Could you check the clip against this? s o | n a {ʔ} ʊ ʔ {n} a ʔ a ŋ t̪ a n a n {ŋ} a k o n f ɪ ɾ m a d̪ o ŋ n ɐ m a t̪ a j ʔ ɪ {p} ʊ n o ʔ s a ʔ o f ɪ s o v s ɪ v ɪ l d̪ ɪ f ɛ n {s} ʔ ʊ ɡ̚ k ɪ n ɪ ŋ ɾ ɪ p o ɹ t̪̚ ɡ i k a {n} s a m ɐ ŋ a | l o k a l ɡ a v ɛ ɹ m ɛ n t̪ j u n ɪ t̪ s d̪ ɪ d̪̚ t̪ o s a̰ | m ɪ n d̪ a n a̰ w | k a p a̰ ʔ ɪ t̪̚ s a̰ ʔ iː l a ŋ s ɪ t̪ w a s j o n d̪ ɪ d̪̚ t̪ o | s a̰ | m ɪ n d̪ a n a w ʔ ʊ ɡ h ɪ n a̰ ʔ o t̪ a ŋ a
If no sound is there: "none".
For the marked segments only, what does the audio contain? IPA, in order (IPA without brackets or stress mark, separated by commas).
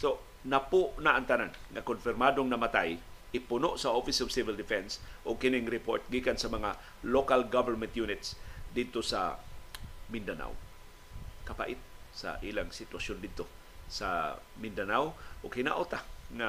p, n, ŋ, p, s, n